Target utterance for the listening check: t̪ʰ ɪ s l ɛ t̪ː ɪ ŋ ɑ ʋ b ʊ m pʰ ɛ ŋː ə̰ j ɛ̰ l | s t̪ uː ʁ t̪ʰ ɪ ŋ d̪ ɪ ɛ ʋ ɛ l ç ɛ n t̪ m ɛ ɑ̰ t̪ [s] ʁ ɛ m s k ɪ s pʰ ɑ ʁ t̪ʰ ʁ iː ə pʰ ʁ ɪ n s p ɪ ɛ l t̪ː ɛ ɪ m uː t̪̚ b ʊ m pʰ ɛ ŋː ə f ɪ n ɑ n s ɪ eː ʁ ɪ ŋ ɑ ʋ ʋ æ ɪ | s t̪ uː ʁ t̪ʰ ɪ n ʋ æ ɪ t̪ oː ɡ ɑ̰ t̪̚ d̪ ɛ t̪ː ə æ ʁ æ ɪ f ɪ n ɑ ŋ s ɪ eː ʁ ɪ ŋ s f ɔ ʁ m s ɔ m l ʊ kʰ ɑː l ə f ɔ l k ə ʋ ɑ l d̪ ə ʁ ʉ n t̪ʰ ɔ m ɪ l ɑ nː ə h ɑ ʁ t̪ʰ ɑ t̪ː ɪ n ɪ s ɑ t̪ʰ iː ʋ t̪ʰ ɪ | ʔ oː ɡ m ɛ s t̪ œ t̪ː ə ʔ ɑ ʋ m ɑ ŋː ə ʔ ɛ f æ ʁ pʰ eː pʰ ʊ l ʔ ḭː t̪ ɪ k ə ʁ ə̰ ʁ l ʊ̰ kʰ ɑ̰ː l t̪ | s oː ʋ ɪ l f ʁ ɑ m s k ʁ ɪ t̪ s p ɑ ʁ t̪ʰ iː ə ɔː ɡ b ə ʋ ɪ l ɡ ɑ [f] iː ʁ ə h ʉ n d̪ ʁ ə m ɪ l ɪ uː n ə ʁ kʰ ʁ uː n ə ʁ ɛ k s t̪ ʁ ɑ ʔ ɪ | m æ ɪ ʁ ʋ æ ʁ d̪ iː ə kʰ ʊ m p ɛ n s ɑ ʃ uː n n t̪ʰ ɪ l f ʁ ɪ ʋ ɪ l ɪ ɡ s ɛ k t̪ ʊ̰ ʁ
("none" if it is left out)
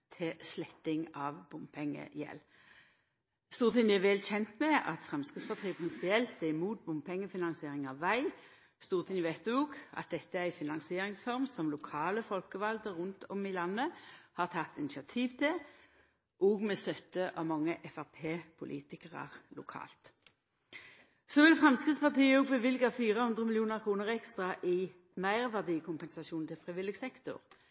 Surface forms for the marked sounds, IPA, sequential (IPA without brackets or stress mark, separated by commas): f, f